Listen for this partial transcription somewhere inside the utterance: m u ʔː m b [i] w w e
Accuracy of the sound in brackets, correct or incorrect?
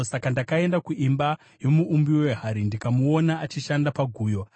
correct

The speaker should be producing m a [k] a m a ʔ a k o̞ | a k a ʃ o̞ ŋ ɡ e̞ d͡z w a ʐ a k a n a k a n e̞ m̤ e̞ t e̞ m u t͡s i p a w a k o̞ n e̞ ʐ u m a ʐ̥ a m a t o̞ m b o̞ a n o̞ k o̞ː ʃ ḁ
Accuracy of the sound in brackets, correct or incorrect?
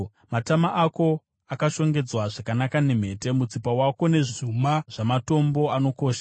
incorrect: t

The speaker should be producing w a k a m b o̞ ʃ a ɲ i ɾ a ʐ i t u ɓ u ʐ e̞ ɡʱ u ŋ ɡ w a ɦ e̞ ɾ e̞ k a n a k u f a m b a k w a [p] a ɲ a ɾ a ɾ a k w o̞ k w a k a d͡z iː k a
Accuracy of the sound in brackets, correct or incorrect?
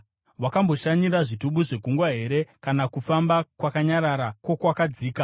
incorrect: k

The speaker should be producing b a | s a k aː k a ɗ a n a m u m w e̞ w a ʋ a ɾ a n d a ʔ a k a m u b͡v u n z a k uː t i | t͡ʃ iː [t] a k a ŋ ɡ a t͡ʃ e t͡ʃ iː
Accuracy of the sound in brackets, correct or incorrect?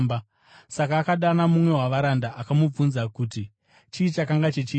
incorrect: t͡ʃ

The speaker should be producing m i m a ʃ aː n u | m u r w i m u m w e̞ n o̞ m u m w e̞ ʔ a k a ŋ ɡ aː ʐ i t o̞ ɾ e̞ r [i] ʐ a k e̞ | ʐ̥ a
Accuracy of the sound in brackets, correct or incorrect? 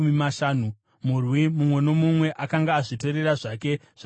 incorrect: a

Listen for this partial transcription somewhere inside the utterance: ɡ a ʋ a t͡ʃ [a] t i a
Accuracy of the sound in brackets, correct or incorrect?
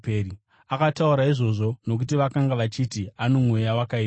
incorrect: i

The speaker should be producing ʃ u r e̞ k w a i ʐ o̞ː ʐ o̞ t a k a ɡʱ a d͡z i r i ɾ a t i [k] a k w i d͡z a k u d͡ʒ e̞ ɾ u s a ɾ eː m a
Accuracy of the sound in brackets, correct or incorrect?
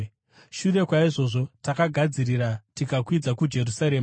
correct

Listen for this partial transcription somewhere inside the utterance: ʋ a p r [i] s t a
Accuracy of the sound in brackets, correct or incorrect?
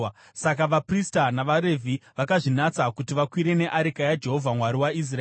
correct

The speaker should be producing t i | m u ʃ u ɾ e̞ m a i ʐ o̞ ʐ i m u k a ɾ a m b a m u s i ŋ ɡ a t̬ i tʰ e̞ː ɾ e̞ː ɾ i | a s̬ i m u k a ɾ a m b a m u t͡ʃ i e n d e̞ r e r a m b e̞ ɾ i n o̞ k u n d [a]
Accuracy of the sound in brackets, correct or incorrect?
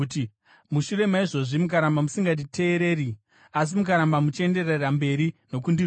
incorrect: i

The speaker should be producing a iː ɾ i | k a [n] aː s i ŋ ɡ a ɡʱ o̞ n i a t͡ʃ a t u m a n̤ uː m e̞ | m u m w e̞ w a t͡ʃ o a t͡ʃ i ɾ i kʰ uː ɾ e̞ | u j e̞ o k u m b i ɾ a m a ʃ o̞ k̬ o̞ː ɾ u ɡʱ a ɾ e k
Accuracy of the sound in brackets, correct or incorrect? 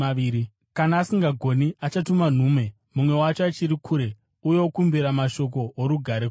correct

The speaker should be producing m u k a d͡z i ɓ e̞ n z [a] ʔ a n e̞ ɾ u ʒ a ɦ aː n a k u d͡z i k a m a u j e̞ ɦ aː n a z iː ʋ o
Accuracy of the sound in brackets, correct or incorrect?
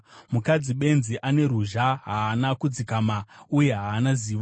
incorrect: i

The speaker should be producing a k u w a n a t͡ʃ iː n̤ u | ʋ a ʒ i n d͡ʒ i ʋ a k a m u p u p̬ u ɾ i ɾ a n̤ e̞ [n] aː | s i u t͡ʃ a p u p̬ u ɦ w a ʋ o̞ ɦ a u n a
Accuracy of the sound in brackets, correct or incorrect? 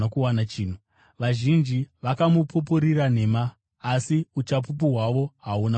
incorrect: m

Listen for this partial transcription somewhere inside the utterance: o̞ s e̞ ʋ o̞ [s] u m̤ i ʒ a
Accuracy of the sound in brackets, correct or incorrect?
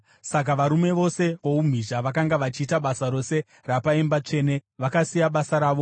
incorrect: none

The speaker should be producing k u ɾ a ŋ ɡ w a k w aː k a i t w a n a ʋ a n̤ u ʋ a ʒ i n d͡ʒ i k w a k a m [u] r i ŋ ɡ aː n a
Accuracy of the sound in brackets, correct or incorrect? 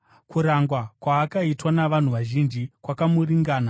correct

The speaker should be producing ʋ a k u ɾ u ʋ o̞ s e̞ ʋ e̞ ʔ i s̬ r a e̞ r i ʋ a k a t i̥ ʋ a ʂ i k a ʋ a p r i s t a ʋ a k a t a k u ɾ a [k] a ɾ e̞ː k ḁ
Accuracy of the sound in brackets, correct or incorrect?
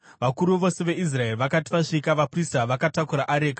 incorrect: ʔ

